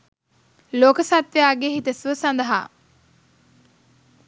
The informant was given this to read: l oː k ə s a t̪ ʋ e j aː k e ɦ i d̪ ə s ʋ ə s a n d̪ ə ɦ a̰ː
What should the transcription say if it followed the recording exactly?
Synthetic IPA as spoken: l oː k ə s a t̪ ʋ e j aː ɡ e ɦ i t̪ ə s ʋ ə s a n d̪ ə ɦ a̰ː